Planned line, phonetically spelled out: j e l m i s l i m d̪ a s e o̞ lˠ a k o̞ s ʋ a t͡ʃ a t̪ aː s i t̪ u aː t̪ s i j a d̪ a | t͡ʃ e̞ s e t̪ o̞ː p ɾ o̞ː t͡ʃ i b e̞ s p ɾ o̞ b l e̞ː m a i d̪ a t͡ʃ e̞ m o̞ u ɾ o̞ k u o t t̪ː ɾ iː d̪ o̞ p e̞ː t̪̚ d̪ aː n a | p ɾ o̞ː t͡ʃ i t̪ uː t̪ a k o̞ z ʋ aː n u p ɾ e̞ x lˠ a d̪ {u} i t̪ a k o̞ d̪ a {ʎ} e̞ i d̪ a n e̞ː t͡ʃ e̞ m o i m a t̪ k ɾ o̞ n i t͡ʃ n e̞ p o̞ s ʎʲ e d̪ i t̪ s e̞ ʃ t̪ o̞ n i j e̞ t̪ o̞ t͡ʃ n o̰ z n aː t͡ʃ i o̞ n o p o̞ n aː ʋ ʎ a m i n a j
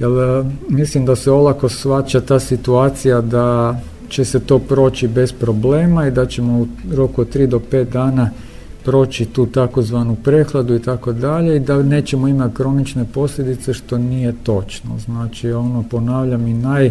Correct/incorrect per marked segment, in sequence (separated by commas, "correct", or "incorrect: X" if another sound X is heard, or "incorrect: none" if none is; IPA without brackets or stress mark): correct, correct